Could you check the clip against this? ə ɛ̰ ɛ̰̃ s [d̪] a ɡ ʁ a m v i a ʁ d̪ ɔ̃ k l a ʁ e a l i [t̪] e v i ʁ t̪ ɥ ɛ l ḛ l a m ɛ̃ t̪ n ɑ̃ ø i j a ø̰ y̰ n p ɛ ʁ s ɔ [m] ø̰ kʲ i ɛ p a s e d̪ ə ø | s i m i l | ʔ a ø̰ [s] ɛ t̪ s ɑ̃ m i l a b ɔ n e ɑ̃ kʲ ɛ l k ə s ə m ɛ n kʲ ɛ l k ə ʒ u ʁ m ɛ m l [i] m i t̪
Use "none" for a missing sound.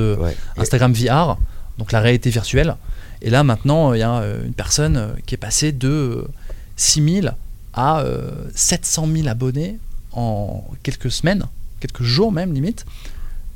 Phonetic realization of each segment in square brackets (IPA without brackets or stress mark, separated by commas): t̪, t̪, n, s, i